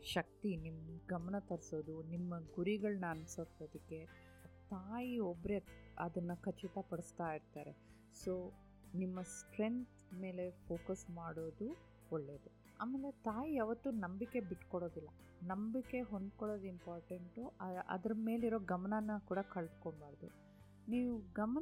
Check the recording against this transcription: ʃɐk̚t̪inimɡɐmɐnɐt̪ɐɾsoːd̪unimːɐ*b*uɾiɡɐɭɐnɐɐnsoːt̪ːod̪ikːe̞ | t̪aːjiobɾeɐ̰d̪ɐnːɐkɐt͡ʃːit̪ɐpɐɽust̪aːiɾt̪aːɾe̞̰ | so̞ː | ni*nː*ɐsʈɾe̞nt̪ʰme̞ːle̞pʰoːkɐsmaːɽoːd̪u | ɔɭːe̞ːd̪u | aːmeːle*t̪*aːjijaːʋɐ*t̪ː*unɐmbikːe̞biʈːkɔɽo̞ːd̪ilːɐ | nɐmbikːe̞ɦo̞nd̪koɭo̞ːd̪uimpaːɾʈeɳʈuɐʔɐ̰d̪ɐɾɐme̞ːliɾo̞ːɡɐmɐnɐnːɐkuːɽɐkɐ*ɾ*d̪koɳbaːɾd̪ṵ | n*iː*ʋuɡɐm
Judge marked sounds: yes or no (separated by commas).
no, no, yes, yes, no, yes